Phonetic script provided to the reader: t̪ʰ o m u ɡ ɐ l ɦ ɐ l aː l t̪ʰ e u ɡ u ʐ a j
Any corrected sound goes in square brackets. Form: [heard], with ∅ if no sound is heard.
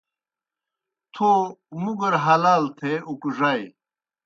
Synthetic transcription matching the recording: t̪ʰ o m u ɡ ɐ [ɾ] ɦ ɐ l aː l t̪ʰ e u [k] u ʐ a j